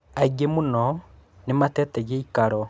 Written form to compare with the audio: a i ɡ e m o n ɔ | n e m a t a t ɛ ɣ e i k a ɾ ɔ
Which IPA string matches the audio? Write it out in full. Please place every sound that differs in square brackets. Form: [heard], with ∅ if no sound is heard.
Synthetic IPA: a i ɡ e m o n ɔ | n e m a t [ɛ] t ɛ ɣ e i k a ɾ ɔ